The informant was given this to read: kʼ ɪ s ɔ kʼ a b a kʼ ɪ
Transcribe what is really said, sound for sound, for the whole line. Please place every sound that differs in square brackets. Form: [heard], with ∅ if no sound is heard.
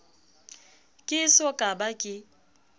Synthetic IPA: kʼ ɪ s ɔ kʼ a b a kʼ ɪ